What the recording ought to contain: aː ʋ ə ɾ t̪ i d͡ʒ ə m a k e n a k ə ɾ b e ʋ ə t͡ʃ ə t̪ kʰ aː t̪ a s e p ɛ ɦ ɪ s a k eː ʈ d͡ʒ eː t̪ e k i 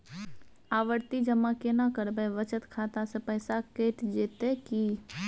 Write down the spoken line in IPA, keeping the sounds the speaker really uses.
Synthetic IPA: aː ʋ ə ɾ t̪ i d͡ʒ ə m a k e n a k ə ɾ b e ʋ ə t͡ʃ ə t̪ kʰ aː t̪ a s e p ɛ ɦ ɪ s a k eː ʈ d͡ʒ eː t̪ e k i

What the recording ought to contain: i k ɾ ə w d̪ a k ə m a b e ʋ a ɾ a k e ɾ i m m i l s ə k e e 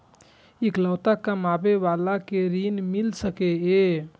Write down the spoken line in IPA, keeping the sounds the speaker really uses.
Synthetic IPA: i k l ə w t̪ a k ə m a b e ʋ a l a k e ɾ i n m i l s ə k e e

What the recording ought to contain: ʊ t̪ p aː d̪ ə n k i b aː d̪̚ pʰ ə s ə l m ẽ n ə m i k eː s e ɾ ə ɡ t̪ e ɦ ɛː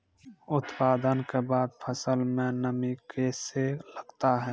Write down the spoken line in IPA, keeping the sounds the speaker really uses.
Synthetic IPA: ʊ t̪ p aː d̪ ə n k e b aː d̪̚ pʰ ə s ə l m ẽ n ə m i k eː s e l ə ɡ t̪ a ɦ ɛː

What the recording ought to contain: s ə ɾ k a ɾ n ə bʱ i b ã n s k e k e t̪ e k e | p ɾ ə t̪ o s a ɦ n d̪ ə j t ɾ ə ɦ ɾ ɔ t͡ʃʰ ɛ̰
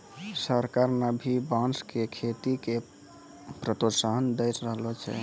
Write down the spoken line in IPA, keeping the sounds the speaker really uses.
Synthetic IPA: s ə ɾ k a ɾ n ə bʱ i b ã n s k e kʰ e t̪ i k e | p ɾ ə t̪ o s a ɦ n d̪ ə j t ɾ ə ɦ l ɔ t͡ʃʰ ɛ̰

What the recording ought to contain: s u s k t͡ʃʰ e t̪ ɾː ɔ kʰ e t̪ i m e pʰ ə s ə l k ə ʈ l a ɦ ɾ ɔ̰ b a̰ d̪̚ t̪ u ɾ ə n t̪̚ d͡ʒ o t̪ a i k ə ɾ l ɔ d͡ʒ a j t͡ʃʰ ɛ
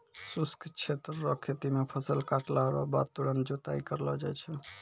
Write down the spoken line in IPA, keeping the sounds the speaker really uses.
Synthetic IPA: s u s k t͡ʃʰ e t̪ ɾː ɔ kʰ e t̪ i m e pʰ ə s ə l k a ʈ l a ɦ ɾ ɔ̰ b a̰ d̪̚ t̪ u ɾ ə n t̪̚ d͡ʒ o t̪ a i k ə ɾ l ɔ d͡ʒ a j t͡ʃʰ ɛ

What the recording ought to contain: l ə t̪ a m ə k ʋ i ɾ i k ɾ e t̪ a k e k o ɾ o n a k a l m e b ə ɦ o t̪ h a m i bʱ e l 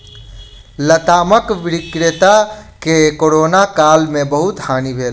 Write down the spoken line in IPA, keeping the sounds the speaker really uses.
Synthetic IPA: l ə t̪ a m ə k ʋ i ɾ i k ɾ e t̪ a k e k o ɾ o n a k a l m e b ə ɦ u t̪ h a n i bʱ e l

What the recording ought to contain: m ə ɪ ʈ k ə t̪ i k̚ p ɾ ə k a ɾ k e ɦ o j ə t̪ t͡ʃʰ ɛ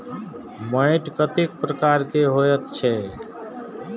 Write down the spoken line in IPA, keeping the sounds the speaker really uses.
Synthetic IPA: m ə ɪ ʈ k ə t̪ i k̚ p ɾ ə k a ɾ k e ɦ o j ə t̪ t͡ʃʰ ɛ

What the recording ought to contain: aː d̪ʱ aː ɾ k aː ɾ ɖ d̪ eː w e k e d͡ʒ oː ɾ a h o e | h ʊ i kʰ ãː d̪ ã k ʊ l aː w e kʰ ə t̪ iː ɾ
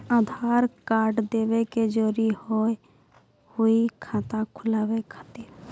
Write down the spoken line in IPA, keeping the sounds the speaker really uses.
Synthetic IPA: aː d̪ʱ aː ɾ k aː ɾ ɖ d̪ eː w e k e d͡ʒ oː ɾ i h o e | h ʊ i kʰ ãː t̪ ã kʰ ʊ l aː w e kʰ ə t̪ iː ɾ

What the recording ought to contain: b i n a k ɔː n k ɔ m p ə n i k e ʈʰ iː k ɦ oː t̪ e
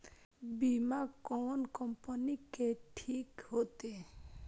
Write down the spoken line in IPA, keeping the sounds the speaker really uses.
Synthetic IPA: b i m a k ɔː n k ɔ m p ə n i k e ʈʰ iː k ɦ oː t̪ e

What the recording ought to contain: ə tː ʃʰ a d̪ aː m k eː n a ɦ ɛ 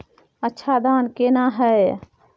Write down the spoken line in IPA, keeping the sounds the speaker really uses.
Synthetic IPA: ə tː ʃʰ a d̪ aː n k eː n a ɦ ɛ

